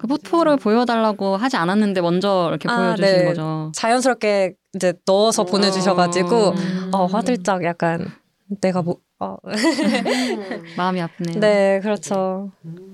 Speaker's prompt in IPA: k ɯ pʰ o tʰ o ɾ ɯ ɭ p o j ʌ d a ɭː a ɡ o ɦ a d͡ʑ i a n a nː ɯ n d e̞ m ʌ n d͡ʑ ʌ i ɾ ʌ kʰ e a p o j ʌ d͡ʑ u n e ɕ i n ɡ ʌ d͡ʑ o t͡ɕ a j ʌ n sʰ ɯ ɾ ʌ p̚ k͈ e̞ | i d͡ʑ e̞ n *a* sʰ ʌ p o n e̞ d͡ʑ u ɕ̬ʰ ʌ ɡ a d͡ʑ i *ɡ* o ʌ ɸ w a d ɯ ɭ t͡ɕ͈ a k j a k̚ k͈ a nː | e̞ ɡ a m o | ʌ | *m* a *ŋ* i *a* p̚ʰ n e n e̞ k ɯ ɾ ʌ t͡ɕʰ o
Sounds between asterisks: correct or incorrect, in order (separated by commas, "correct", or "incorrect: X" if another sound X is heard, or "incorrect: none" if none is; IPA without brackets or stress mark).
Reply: incorrect: ʌ, correct, correct, incorrect: m, correct